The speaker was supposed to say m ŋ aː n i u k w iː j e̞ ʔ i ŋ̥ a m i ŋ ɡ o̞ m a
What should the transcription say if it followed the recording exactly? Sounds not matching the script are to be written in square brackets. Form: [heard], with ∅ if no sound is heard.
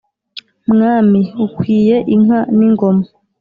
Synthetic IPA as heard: m ŋ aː [m] i u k w iː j e̞ ʔ i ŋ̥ a [n] i ŋ ɡ o̞ m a